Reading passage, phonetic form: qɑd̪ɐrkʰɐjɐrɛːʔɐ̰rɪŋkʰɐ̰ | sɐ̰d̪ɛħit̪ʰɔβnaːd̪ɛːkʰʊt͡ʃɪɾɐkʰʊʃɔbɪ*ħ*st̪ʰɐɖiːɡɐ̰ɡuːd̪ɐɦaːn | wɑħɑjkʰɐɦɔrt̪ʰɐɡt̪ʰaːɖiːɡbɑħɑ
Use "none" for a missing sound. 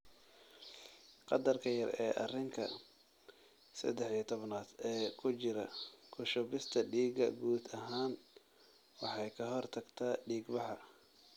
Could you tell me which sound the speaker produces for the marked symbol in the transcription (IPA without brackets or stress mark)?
none